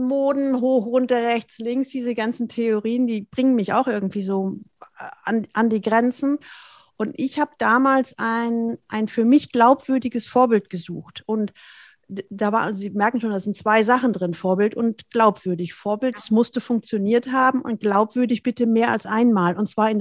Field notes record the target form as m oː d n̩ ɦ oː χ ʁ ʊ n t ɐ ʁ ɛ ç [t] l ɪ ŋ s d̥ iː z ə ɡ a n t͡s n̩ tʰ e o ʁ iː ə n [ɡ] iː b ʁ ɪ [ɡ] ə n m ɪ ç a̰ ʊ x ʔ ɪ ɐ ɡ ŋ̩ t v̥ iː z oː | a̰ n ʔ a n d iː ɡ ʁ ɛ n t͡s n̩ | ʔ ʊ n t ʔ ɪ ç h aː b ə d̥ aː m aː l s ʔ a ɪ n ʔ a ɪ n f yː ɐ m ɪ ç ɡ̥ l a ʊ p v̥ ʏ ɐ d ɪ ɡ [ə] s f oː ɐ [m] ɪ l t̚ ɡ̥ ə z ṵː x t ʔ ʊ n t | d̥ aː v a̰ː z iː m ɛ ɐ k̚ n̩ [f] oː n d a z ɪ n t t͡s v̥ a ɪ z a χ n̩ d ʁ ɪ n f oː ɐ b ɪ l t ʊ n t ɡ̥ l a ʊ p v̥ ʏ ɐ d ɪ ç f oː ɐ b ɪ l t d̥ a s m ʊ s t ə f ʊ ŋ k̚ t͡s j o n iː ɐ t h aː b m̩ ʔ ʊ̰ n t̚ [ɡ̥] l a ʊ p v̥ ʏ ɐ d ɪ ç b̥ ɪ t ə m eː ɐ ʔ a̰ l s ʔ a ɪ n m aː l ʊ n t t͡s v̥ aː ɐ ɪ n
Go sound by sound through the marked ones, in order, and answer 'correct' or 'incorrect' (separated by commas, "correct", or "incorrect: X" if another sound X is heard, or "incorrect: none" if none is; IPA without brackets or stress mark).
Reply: incorrect: t͡s, incorrect: d, incorrect: ŋ, correct, incorrect: b, incorrect: ʃ, correct